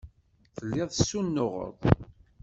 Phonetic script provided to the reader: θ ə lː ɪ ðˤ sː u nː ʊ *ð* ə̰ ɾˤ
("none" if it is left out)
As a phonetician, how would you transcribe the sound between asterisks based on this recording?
ʁ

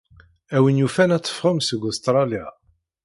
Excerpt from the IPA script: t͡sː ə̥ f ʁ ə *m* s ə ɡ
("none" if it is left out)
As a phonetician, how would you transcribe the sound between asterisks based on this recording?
m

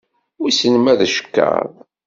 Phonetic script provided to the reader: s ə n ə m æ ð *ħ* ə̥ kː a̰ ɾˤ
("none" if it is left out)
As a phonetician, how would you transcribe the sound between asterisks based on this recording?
ʃ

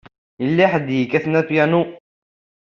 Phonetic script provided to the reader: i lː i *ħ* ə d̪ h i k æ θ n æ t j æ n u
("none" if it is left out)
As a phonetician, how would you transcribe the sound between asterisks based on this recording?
ħ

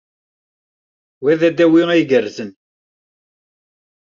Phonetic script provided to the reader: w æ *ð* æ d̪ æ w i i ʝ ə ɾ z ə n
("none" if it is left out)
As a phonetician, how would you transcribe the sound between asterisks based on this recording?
ð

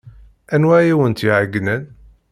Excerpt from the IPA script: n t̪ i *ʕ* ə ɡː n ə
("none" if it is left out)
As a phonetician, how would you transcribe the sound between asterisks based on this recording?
ʕ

